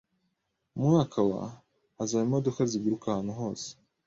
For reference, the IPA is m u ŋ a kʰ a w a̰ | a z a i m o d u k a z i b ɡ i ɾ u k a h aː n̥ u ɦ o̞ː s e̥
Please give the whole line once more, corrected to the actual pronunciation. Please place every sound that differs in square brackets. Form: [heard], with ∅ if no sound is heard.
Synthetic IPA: m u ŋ a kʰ a w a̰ | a z a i m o d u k a z i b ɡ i ɾ u k a h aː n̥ u ɦ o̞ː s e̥